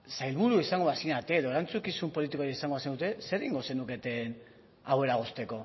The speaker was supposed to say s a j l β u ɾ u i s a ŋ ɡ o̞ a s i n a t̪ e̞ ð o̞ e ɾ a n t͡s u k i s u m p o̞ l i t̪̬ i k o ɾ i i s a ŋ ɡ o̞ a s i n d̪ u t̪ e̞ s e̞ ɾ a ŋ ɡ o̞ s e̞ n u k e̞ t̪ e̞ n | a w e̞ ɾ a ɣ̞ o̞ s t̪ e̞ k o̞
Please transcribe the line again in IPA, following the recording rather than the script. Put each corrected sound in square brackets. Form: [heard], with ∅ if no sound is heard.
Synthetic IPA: s a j l β u ɾ u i s a ŋ ɡ o̞ a s i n a t̪ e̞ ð o̞ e ɾ a n t͡s u k i s u m p o̞ l i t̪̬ i k o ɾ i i s a ŋ ɡ o̞ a s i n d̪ u t̪ e̞ s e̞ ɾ [i] ŋ ɡ o̞ s e̞ n u k e̞ t̪ e̞ n | a w e̞ ɾ a ɣ̞ o̞ s t̪ e̞ k o̞